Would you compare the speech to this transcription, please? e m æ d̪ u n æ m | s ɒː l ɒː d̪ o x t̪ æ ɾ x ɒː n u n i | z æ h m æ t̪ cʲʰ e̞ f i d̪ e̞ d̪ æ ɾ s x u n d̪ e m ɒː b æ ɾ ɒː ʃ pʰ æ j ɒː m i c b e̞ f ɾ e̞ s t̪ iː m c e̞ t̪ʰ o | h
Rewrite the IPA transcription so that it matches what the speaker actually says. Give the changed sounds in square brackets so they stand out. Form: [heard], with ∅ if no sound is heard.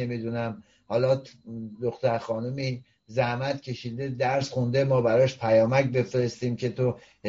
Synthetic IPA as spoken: e m [i] d̪ u n æ m | [h] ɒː l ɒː d̪ o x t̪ æ ɾ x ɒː n u [m] i | z æ h m æ t̪ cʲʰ e̞ [ʃ] i d̪ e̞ d̪ æ ɾ s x u n d̪ e m ɒː b æ ɾ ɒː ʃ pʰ æ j ɒː m [æ] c b e̞ f ɾ e̞ s t̪ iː m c e̞ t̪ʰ o | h